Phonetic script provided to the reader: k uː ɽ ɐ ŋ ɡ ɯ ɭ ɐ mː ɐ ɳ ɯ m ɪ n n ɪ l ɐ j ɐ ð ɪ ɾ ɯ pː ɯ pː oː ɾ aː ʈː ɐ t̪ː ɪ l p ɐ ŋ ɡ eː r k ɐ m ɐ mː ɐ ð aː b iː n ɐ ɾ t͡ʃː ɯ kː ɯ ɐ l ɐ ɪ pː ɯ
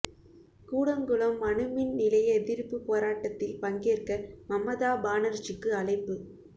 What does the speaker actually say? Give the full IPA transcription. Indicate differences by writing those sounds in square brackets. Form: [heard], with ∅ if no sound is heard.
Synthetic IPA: k uː ɽ ɐ ŋ ɡ ɯ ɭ ɐ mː ɐ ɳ ɯ m ɪ n n ɪ l ɐ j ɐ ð ɪ ɾ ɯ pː ɯ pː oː ɾ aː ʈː ɐ t̪ː ɪ l p ɐ ŋ ɡ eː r k ɐ m ɐ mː ɐ ð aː b [aː] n ɐ ɾ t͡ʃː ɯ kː ɯ ɐ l ɐ ɪ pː ɯ

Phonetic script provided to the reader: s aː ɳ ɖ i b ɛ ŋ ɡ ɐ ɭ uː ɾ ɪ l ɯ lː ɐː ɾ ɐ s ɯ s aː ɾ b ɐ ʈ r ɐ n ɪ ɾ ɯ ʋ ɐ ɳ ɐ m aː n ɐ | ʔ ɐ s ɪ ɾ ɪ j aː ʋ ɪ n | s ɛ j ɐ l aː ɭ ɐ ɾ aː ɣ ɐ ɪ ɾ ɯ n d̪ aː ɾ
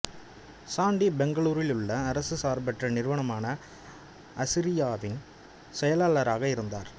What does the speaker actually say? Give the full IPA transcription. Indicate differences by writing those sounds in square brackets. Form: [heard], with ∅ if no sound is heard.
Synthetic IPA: s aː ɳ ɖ i b ɛ ŋ ɡ ɐ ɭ uː ɾ ɪ l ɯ [ɭː] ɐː ɾ ɐ s ɯ s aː ɾ b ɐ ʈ r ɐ n ɪ ɾ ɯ ʋ ɐ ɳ ɐ m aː n ɐ | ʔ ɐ s ɪ ɾ ɪ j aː ʋ ɪ n | s ɛ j ɐ l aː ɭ ɐ ɾ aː ɣ ɐ ɪ ɾ ɯ n d̪ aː ɾ

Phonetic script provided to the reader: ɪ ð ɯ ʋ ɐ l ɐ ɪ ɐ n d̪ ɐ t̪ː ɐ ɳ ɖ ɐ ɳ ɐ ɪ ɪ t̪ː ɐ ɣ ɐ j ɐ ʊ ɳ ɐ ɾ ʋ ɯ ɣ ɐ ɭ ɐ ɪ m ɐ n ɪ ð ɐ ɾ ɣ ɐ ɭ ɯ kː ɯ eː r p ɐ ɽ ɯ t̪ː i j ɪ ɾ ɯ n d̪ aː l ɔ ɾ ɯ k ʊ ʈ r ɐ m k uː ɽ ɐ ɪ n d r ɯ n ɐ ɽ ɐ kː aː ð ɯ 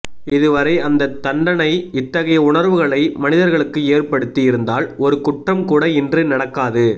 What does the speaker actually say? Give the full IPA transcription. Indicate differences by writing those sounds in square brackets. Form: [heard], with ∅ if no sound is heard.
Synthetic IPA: ɪ ð ɯ ʋ ɐ [ɾ] ɐ ɪ ɐ n d̪ ɐ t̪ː ɐ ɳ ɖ ɐ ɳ ɐ ɪ ɪ t̪ː ɐ ɣ ɐ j ɐ ʊ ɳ ɐ ɾ ʋ ɯ ɣ ɐ ɭ ɐ ɪ m ɐ n ɪ ð ɐ ɾ ɣ ɐ ɭ ɯ kː ɯ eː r p ɐ ɽ ɯ t̪ː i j ɪ ɾ ɯ n d̪ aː l ɔ ɾ ɯ k ʊ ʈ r ɐ m k uː ɽ ɐ ɪ n d r ɯ n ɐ ɽ ɐ kː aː ð ɯ

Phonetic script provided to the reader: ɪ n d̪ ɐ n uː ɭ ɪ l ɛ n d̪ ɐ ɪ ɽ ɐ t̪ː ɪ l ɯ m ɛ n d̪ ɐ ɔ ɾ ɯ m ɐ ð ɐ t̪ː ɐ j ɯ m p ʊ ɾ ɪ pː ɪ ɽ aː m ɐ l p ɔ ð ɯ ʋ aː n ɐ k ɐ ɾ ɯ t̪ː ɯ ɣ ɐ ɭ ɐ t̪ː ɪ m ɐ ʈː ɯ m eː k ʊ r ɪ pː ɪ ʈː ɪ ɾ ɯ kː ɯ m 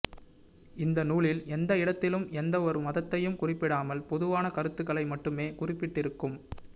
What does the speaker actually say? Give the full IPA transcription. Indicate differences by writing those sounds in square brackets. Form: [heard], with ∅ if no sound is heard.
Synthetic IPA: ɪ n d̪ ɐ n uː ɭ ɪ l ɛ n d̪ ɐ ɪ ɽ ɐ t̪ː ɪ l ɯ m ɛ n d̪ ɐ ɔ ɾ ɯ m ɐ ð ɐ t̪ː ɐ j ɯ m [k] ʊ [r] ɪ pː ɪ ɽ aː m ɐ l p ɔ ð ɯ ʋ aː n ɐ k ɐ ɾ ɯ t̪ː ɯ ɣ ɐ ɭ ɐ [∅] ɪ m ɐ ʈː ɯ m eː k ʊ r ɪ pː ɪ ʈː ɪ ɾ ɯ kː ɯ m

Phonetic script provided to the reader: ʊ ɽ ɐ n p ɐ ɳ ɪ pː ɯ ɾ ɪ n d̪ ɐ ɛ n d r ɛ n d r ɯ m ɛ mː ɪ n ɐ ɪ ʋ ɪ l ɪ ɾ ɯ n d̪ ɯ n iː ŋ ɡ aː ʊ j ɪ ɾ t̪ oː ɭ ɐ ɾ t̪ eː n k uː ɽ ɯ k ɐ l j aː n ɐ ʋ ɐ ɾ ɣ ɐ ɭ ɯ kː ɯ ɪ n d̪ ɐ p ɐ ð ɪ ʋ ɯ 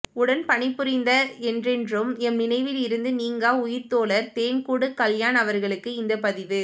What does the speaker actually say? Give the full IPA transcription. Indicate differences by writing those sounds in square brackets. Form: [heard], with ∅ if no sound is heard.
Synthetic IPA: ʊ ɽ ɐ n p ɐ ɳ ɪ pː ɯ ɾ ɪ n d̪ ɐ ɛ n d r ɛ n d r ɯ m ɛ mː ɪ n ɐ ɪ ʋ ɪ l ɪ ɾ ɯ n d̪ ɯ n iː ŋ ɡ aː ʊ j ɪ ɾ t̪ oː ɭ ɐ ɾ t̪ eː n k uː ɽ ɯ k ɐ l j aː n ɐ ʋ ɐ ɾ ɣ ɐ ɭ ɯ kː ɯ ɪ n d̪ ɐ p ɐ ð ɪ ʋ ɯ

